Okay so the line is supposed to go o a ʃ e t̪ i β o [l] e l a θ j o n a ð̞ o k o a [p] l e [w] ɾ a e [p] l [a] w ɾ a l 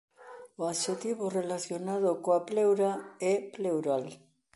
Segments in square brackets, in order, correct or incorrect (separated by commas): incorrect, correct, correct, correct, incorrect